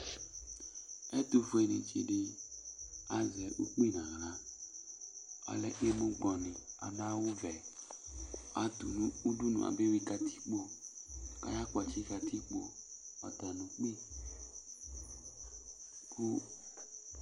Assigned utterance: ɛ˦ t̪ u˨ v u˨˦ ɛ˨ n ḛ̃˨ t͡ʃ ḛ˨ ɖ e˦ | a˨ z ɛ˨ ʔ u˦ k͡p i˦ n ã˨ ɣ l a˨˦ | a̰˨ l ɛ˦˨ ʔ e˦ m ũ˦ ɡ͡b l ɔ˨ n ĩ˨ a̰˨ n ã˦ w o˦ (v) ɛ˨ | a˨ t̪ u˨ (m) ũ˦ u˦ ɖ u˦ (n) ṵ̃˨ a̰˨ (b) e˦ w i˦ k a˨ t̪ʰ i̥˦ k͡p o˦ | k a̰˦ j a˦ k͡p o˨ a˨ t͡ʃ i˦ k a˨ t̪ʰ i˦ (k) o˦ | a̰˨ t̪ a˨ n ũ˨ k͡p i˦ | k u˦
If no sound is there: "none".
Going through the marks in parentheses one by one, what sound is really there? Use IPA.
v, n, n, b, k͡p

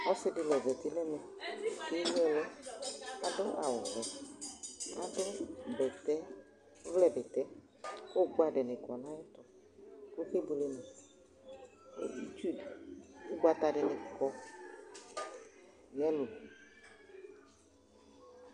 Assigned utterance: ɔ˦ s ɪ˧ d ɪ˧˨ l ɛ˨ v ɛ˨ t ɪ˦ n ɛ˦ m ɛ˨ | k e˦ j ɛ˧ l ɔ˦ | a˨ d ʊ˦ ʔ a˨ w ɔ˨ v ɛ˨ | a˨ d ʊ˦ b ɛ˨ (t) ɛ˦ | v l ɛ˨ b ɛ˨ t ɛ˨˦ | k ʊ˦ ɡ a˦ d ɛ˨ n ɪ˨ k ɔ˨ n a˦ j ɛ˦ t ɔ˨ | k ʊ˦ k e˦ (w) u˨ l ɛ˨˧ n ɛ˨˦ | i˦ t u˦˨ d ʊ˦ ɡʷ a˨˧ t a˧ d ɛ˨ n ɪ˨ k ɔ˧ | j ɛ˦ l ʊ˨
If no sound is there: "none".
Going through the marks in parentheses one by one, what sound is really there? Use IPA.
t, b

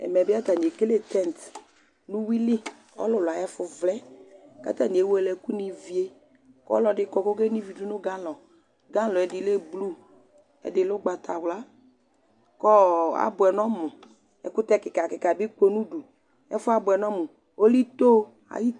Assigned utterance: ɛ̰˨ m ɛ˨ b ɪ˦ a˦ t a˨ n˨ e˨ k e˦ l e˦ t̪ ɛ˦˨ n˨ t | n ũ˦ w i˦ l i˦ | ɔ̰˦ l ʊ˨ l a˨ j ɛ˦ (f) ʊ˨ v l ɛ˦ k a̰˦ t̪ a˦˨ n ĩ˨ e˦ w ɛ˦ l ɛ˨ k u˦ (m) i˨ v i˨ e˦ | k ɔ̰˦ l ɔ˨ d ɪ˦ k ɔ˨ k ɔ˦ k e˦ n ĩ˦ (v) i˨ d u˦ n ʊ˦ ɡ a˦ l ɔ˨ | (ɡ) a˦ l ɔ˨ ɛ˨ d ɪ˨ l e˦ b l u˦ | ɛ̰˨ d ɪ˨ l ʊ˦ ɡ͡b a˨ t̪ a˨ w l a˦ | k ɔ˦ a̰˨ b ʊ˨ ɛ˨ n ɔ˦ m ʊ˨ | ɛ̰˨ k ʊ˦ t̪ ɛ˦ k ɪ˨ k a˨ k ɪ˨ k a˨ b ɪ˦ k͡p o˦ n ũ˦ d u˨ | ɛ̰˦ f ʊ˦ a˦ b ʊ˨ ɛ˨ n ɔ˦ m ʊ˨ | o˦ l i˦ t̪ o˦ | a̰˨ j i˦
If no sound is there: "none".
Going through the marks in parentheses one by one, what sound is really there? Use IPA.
f, n, v, ɡ

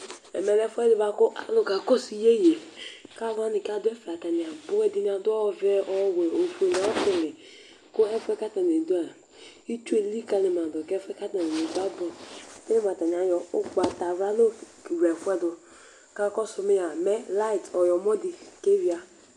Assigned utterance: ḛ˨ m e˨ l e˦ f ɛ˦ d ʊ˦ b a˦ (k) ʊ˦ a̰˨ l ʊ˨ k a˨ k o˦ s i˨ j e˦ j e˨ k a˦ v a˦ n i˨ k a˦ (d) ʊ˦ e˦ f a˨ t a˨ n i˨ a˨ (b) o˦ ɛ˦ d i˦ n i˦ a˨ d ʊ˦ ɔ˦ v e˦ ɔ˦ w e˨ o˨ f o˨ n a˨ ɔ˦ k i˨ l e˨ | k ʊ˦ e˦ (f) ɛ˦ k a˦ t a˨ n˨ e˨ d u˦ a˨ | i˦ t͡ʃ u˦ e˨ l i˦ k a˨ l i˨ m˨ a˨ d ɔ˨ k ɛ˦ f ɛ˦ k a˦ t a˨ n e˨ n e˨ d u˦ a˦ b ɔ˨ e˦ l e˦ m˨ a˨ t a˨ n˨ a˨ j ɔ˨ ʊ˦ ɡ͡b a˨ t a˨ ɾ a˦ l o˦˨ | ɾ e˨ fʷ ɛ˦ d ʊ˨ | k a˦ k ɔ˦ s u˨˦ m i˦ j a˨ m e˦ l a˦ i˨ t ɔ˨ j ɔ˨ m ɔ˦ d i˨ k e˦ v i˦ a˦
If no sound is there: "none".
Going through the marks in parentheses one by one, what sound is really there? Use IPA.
k, d, b, f

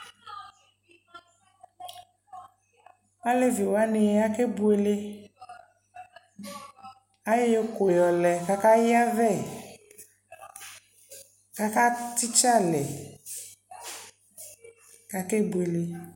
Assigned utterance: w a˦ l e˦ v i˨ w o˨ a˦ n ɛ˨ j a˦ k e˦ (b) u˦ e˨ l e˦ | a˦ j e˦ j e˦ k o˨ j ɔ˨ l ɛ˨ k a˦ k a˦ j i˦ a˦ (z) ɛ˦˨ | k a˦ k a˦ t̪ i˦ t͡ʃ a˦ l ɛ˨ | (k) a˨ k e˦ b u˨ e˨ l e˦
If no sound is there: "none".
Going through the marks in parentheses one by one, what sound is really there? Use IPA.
b, v, k

